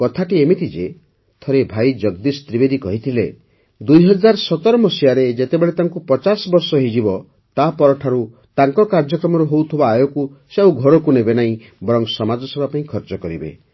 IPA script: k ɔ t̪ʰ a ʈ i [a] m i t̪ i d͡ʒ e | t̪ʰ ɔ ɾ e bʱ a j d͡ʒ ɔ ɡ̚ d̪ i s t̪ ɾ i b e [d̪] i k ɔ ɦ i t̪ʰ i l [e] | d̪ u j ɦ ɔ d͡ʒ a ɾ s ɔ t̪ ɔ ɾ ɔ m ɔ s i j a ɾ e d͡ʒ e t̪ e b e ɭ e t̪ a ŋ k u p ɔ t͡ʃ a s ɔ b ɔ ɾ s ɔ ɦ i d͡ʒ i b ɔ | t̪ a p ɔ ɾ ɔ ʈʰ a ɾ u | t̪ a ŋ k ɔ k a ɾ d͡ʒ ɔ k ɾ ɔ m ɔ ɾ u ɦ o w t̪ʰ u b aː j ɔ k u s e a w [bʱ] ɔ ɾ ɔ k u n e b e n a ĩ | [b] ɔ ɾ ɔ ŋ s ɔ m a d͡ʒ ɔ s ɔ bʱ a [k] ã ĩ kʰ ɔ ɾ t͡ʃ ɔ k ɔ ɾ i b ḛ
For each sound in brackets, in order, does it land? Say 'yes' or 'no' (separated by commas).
no, yes, yes, no, yes, no